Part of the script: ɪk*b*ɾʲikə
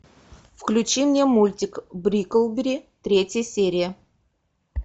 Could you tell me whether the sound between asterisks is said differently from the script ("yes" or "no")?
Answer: no